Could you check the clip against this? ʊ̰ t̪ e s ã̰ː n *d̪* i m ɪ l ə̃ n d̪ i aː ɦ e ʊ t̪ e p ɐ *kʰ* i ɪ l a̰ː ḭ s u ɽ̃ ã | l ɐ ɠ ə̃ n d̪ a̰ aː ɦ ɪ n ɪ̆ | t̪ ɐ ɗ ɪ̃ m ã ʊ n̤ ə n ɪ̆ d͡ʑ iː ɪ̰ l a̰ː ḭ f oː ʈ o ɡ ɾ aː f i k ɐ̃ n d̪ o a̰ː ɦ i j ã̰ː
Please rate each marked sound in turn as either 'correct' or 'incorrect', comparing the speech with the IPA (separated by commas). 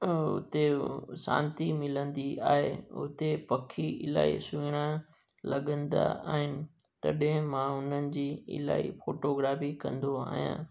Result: incorrect, correct